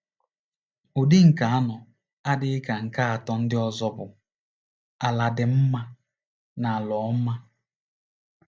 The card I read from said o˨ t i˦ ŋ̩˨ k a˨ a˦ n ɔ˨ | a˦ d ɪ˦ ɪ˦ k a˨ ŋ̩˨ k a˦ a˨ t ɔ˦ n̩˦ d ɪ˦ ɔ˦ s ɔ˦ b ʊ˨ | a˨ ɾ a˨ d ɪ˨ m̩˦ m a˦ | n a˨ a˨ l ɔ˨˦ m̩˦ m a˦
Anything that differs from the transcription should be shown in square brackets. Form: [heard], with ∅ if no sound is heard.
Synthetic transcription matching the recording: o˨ [d] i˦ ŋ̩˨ k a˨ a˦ n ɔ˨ | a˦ d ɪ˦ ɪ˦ k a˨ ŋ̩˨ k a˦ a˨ t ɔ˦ n̩˦ d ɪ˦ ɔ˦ [z] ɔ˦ b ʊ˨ | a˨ [l] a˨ d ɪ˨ m̩˦ m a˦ | n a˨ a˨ l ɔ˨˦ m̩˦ m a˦